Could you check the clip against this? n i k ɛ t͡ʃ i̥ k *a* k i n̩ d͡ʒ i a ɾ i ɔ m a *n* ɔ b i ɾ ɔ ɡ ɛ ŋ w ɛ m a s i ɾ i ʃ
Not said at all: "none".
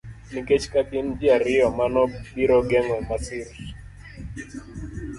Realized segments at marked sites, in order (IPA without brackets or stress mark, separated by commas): a, n